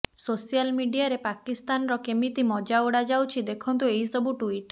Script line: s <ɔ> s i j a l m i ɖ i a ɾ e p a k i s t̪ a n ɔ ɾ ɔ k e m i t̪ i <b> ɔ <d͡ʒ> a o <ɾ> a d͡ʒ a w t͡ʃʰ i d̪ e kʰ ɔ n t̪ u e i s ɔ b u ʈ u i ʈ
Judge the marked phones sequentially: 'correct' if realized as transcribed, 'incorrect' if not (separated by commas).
incorrect, incorrect, correct, incorrect